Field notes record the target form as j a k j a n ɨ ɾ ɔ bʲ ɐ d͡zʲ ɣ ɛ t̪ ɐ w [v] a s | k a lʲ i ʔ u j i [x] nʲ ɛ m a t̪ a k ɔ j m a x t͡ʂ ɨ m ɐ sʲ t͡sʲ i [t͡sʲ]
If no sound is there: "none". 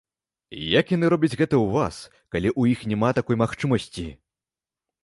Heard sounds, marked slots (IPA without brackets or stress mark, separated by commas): v, x, none